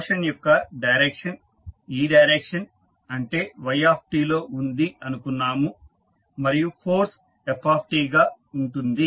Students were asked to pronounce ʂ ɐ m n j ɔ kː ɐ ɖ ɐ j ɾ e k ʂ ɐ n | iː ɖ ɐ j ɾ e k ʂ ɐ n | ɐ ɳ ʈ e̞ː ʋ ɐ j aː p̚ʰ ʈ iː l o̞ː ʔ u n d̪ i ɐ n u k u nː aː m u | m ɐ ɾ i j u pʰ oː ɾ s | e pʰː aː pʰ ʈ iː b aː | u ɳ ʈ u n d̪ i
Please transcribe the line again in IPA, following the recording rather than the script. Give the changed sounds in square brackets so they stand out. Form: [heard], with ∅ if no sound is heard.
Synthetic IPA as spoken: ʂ ɐ [∅] n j ɔ kː ɐ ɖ ɐ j ɾ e k ʂ ɐ n | iː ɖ ɐ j ɾ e k ʂ ɐ n | ɐ ɳ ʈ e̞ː ʋ ɐ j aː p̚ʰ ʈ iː l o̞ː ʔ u n d̪ i ɐ n u k u nː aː m u | m ɐ ɾ i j u pʰ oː ɾ s | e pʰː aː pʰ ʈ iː [ɡ] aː | u ɳ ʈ u n d̪ i